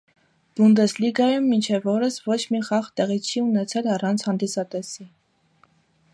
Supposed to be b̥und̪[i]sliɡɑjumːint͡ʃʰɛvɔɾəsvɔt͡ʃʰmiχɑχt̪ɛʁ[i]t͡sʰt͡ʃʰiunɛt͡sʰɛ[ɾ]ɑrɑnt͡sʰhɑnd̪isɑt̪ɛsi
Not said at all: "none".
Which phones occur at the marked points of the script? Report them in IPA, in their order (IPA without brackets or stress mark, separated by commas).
ɛ, i, l